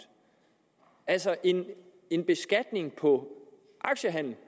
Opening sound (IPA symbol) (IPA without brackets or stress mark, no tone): æ